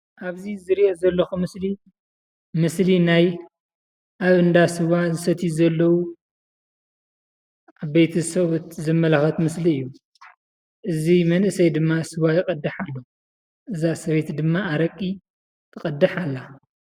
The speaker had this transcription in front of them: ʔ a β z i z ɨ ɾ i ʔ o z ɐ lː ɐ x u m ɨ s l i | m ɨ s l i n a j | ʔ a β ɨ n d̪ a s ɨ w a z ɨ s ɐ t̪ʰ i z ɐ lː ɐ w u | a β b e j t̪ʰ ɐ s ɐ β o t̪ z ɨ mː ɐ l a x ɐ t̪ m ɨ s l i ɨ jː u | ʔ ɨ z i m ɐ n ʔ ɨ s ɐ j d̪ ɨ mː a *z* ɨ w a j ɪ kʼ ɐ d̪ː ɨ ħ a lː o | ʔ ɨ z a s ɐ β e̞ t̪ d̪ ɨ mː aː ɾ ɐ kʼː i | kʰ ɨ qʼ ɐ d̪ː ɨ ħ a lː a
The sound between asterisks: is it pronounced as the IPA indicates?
no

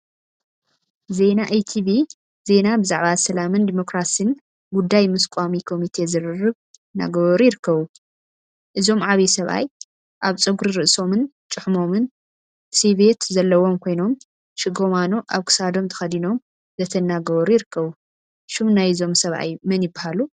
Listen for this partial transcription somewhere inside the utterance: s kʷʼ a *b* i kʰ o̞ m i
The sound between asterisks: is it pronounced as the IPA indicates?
no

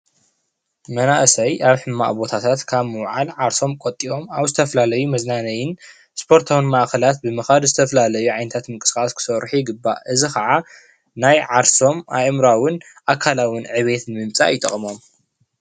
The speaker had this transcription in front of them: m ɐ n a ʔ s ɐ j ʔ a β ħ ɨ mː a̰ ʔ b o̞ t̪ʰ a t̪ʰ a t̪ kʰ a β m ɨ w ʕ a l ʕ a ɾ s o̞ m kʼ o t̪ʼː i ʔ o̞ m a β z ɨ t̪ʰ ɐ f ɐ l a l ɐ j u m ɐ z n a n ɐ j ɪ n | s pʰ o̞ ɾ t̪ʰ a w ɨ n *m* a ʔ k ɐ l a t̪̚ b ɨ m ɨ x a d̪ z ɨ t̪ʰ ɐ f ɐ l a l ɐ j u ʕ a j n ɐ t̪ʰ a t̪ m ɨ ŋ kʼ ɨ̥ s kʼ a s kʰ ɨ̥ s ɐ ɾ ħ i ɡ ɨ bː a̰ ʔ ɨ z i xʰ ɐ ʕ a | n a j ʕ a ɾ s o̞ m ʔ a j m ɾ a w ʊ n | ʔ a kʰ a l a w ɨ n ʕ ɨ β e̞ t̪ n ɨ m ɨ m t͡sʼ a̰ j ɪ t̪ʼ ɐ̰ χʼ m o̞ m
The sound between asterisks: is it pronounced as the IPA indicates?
yes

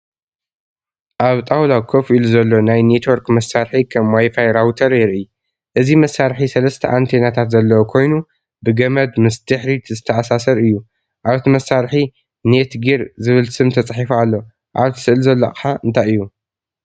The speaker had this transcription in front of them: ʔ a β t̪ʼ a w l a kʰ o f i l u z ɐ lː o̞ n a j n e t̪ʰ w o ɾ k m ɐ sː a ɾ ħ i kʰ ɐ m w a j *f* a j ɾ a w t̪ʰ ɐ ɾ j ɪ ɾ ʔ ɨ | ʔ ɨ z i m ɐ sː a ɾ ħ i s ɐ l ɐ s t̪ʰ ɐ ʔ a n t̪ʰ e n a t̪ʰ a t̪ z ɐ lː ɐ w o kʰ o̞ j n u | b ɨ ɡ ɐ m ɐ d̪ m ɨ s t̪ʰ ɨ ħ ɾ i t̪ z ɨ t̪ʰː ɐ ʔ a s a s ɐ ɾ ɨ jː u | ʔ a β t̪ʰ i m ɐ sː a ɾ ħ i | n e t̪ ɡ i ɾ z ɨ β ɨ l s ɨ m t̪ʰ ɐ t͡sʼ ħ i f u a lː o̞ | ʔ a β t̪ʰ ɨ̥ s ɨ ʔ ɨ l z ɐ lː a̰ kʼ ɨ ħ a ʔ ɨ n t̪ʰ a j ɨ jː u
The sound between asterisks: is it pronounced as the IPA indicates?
yes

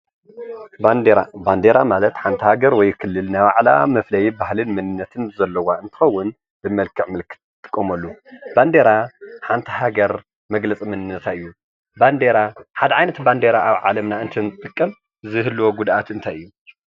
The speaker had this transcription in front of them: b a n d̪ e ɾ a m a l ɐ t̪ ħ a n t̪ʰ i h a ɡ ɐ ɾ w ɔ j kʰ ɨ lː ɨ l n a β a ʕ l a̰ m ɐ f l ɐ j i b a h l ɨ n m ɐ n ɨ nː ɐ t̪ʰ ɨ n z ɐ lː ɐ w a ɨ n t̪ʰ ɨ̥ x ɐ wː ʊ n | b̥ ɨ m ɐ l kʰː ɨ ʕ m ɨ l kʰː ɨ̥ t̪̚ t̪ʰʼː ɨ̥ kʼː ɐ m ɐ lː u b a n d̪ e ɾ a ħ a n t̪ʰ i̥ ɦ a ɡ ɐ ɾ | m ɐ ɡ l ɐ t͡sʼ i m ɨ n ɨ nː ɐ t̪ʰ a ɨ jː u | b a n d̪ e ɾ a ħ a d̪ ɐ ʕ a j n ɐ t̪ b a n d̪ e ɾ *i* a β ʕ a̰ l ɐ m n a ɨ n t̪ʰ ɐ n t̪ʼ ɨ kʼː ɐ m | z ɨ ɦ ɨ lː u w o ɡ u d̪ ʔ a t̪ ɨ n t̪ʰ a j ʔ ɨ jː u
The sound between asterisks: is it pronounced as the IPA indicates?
no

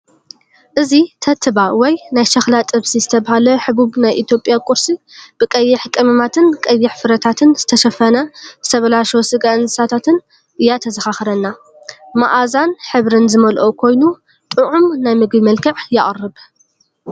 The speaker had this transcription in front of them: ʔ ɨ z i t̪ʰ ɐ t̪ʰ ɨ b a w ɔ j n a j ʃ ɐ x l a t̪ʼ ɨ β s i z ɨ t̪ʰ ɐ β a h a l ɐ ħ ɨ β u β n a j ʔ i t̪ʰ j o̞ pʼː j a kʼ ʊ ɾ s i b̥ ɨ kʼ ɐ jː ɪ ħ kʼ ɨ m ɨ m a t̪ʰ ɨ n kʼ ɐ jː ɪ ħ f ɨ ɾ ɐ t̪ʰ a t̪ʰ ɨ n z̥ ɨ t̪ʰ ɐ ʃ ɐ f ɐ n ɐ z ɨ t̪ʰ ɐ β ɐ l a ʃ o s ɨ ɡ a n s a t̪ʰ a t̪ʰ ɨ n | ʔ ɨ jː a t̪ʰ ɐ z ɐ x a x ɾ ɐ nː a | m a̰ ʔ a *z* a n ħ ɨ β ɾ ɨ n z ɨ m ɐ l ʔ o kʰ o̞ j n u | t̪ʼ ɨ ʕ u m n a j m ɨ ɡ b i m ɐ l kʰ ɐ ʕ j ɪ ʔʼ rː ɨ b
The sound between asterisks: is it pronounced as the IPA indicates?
yes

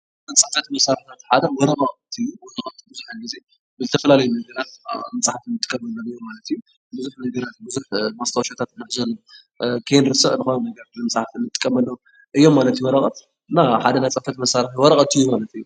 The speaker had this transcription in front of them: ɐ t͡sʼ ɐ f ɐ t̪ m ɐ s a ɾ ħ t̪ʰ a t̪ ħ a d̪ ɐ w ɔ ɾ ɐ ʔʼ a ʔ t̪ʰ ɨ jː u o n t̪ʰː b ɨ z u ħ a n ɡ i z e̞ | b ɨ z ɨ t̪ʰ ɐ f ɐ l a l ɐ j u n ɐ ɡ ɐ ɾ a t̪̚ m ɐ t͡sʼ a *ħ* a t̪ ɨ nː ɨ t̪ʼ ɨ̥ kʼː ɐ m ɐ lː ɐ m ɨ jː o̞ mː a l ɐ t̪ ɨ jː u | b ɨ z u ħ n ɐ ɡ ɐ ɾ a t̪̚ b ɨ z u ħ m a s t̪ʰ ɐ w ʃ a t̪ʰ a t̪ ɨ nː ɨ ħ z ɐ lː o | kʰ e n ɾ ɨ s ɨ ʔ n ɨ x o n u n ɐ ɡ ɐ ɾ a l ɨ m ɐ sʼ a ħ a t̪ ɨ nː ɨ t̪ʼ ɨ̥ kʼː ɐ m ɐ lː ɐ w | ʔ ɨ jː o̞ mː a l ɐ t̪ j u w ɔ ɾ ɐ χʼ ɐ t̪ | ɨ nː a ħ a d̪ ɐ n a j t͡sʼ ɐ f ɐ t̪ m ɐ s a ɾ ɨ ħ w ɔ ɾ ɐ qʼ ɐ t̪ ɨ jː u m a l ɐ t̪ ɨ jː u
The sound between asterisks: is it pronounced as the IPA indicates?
yes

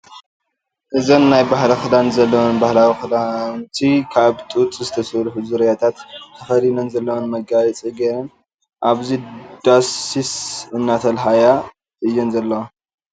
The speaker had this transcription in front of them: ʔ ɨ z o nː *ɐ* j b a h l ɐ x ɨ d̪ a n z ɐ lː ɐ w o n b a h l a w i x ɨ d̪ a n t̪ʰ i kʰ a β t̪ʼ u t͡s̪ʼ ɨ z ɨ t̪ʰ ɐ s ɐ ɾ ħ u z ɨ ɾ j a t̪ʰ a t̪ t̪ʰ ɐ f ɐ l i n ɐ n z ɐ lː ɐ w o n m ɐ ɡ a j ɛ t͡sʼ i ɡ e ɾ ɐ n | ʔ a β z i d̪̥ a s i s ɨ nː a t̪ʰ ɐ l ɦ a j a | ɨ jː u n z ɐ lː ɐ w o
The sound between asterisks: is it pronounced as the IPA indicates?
no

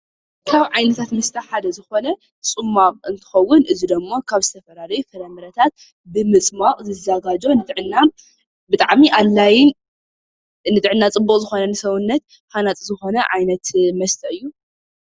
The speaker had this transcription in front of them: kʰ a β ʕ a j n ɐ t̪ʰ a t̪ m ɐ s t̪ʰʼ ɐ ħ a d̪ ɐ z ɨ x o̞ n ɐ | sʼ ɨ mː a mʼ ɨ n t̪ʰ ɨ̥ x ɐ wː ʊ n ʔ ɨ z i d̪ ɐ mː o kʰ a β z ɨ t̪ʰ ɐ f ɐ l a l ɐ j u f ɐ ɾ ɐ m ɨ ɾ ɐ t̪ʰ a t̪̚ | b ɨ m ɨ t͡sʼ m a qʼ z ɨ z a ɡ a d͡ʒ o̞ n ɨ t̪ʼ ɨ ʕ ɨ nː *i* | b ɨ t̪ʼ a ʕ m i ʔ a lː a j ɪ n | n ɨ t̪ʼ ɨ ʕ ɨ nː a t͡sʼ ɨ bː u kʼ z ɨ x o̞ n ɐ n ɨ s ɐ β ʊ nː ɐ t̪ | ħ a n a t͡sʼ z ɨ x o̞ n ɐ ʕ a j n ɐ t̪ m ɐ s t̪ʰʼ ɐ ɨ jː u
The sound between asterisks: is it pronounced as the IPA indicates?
no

